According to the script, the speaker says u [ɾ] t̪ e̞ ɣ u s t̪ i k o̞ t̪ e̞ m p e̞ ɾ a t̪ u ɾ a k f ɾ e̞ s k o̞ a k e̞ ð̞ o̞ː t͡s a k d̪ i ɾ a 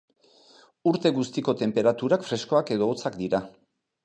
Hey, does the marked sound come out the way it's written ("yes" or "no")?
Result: yes